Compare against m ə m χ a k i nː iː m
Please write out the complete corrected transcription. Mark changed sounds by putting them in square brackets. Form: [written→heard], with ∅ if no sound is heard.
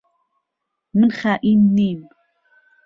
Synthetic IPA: m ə [m→n] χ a [k→ʔ] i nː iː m

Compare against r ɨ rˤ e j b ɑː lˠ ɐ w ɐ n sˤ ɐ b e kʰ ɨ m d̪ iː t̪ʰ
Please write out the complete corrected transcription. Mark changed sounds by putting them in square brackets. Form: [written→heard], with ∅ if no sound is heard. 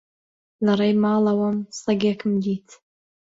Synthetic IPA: [r→l] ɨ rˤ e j [b→m] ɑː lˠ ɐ w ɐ [n→m] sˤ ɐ [b→ɡ] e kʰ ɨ m d̪ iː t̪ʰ

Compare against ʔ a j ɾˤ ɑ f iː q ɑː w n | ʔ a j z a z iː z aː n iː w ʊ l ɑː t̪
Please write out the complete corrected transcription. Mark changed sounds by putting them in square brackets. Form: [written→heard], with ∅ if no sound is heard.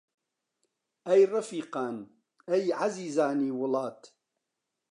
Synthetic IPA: ʔ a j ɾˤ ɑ f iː q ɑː [w→∅] n | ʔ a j [z→ʕ] a z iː z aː n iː w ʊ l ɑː t̪

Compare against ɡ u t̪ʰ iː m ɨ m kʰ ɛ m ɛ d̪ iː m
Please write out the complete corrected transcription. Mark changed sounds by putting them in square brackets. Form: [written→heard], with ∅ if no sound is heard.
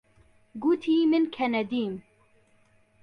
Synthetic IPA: ɡ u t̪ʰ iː m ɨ [m→n] kʰ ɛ [m→n] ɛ d̪ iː m

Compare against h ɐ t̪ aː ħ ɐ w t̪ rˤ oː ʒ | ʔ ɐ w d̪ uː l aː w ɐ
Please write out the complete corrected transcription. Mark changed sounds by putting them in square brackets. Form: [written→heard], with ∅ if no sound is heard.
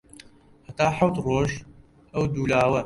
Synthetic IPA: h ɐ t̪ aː ħ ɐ w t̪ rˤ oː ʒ | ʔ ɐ w d̪ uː l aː w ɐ

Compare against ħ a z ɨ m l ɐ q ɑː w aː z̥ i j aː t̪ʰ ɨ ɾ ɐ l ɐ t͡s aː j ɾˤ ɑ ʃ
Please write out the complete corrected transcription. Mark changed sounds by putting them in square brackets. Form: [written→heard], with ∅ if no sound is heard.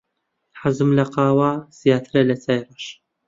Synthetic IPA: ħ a z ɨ m l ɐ q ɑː w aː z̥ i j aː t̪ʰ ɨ ɾ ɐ l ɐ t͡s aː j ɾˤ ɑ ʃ

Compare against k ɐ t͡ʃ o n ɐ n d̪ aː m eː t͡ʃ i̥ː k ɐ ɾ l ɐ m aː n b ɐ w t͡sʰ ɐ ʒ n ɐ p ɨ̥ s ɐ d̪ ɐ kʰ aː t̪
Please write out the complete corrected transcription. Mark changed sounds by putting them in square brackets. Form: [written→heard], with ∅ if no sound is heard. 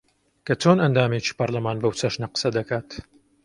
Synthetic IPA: k ɐ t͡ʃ o n ɐ n d̪ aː m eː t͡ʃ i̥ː [k→p] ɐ ɾ l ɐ m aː n b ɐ w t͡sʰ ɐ [ʒ→ʃ] n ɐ [p→q] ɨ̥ s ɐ d̪ ɐ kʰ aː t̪

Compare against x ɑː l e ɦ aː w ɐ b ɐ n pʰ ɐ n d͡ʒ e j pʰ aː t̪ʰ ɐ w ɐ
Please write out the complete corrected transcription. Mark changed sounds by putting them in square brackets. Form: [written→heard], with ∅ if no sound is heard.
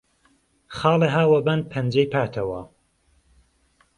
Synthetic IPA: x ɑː l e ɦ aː w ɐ b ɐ n pʰ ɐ n d͡ʒ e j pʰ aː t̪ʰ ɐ w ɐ

